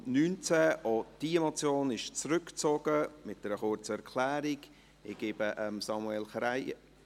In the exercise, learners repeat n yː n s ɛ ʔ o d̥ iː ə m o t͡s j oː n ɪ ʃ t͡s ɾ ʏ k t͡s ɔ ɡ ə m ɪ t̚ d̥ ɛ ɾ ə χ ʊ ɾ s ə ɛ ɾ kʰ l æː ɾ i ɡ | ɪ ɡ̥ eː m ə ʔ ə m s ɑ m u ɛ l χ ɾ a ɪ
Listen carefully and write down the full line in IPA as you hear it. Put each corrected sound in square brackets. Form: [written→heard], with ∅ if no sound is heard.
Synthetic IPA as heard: n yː n [s→t͡s] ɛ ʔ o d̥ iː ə m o t͡s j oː n ɪ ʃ t͡s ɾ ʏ k t͡s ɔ ɡ ə m ɪ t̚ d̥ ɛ ɾ ə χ ʊ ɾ [s→t͡s] ə ɛ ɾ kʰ l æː ɾ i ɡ | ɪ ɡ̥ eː [m→b] ə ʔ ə m s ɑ m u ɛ l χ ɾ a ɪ